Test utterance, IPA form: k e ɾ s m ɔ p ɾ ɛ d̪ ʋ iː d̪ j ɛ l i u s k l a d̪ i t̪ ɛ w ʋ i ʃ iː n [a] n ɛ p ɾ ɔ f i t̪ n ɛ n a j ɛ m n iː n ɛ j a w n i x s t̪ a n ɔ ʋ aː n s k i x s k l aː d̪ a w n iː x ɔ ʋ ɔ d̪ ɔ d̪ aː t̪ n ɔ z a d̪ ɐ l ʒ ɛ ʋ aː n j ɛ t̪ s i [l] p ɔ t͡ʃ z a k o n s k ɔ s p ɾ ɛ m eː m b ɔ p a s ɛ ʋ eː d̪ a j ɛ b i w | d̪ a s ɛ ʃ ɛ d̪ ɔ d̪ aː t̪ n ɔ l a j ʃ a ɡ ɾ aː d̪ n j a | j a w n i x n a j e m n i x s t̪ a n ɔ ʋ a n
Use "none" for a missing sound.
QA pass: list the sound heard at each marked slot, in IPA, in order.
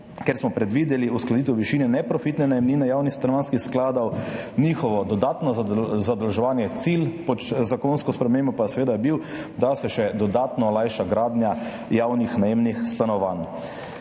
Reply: ɛ, l

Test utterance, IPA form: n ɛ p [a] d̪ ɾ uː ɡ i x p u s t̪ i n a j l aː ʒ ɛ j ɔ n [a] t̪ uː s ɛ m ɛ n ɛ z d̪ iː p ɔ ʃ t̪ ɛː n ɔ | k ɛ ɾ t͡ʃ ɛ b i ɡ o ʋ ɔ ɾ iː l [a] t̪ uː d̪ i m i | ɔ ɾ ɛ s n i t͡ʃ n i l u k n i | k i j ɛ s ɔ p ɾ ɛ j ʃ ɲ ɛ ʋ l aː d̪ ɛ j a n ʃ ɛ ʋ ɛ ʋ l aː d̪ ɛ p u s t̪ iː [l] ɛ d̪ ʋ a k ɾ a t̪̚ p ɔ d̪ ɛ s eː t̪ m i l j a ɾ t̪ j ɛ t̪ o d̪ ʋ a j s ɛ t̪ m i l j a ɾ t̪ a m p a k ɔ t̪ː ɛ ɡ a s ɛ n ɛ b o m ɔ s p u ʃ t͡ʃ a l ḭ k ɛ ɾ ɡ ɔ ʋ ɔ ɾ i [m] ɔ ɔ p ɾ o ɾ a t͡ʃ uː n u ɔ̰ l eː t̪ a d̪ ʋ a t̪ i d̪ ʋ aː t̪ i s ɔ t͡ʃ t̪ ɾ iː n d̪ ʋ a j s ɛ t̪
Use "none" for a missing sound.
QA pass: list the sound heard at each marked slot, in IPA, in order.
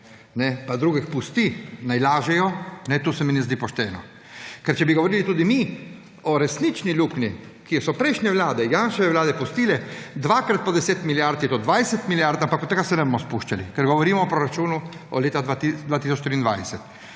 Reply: a, ɛ, i, l, m

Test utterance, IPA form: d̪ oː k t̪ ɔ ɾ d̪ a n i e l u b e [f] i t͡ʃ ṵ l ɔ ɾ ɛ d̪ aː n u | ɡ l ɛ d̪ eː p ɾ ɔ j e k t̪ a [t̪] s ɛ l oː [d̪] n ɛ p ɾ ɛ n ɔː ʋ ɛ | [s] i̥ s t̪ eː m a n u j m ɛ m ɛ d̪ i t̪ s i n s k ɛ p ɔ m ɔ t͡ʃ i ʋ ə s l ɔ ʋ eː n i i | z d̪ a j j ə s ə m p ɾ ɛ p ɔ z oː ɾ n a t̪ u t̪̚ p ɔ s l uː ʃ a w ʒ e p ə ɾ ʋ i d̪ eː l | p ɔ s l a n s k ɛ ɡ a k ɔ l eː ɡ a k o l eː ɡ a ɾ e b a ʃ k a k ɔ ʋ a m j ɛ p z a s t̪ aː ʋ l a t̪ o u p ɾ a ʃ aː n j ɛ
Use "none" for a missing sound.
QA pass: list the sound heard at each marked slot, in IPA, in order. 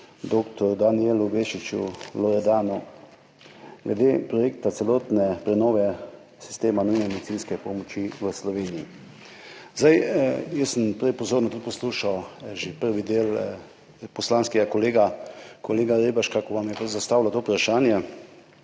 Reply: ʃ, t̪, t̪, s

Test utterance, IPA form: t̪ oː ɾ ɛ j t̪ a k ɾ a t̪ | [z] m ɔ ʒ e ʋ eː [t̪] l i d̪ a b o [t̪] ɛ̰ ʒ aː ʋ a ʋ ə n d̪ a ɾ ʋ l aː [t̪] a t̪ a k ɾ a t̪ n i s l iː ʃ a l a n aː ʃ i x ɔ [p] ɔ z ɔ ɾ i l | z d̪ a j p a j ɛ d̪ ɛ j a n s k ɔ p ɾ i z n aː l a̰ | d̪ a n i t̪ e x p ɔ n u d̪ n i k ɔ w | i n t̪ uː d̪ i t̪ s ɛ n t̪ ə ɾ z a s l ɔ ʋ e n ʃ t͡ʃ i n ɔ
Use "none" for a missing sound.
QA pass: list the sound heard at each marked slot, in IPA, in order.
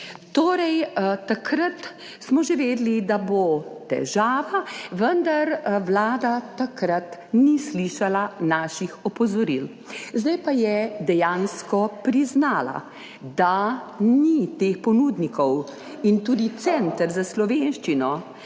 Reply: s, d̪, t̪, d̪, p

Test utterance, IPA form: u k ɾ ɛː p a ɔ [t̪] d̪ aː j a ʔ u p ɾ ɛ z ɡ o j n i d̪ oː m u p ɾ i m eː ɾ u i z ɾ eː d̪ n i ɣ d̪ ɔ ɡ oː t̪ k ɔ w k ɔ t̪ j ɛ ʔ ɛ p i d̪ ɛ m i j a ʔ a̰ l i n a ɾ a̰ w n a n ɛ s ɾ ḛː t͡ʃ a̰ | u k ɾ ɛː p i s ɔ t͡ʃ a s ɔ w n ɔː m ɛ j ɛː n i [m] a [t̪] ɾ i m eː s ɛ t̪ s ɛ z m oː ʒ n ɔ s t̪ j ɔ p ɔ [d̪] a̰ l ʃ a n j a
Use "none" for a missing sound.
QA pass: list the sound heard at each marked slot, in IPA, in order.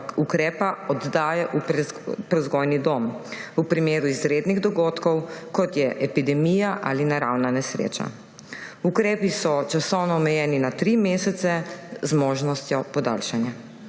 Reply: d̪, n, t̪, d̪

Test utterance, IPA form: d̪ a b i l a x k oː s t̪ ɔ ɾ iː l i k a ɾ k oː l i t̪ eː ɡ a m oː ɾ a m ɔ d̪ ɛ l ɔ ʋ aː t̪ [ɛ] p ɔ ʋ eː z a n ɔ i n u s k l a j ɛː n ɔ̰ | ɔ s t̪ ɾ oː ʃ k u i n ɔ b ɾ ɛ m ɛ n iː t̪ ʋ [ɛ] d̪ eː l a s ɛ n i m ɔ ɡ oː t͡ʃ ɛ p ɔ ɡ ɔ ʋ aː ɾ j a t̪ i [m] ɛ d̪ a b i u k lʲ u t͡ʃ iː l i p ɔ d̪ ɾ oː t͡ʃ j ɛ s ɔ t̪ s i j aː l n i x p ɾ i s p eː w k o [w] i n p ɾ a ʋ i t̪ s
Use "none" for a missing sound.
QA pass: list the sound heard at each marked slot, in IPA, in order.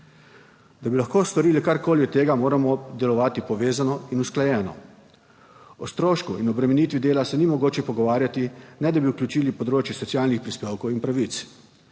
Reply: i, i, n, w

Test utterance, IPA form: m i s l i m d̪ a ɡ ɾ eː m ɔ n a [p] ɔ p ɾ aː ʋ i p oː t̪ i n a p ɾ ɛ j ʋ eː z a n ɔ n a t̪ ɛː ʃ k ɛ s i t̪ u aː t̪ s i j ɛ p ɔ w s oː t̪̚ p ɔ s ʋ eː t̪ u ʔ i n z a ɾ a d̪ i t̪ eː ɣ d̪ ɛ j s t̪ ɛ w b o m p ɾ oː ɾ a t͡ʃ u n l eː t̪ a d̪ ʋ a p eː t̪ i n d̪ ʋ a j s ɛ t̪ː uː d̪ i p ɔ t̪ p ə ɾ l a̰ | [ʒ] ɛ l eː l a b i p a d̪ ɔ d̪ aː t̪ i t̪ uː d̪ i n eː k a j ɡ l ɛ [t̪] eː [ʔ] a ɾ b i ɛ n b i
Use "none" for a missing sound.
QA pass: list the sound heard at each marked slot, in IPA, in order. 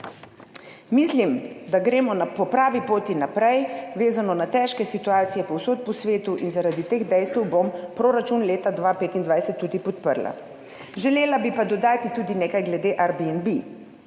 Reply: p, ʒ, d̪, ʔ

